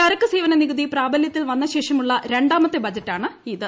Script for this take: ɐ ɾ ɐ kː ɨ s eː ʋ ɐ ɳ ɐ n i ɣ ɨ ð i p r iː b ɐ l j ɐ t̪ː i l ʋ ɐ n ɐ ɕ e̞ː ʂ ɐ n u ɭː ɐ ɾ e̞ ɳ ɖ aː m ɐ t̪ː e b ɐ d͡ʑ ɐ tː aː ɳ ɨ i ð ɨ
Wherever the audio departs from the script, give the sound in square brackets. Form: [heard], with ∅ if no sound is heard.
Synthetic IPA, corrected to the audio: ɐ ɾ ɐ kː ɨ s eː ʋ ɐ [n] ɐ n i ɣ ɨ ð i p r [aː] b ɐ l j ɐ t̪ː i l ʋ ɐ [nː] ɐ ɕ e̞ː ʂ ɐ [m] u ɭː ɐ ɾ e̞ ɳ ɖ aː m ɐ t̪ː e b ɐ d͡ʑ ɐ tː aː ɳ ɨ i ð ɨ